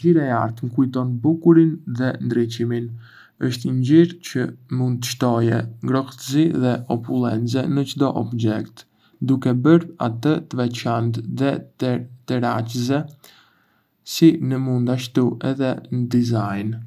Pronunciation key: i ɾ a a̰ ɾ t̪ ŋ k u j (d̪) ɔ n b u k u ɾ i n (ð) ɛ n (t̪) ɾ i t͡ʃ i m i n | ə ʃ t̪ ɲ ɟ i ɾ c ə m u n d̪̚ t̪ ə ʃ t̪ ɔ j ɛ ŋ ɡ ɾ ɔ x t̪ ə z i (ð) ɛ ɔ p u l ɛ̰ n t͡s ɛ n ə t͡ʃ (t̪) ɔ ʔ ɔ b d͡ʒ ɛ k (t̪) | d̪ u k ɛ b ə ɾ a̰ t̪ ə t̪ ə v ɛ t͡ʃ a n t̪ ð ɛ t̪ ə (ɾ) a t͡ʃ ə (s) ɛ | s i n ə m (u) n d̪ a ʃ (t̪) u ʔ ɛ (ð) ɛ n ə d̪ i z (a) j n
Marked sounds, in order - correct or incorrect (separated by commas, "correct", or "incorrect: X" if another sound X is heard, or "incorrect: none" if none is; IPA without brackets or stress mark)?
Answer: incorrect: t̪, correct, incorrect: d̪, correct, incorrect: d̪, correct, correct, incorrect: z, correct, correct, correct, correct